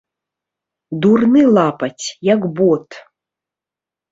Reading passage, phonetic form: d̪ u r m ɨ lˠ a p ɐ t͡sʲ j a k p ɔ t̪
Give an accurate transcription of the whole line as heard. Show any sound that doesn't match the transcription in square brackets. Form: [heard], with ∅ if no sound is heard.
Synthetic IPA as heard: d̪ u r [n] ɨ lˠ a p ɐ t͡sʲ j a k [b] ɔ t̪